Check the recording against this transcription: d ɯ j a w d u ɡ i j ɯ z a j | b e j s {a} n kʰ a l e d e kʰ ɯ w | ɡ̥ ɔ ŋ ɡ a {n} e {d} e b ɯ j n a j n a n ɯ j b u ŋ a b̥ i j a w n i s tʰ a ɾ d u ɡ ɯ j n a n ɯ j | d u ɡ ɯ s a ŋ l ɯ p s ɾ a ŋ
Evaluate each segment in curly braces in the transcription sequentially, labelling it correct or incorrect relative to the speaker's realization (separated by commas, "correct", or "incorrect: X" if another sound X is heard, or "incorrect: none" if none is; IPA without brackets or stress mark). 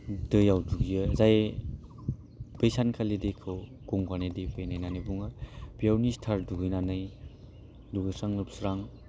correct, correct, correct